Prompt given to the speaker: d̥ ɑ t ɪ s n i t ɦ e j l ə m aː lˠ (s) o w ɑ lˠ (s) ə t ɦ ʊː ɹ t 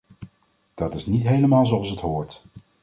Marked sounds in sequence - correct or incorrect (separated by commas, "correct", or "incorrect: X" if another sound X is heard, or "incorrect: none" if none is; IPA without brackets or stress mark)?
incorrect: z, correct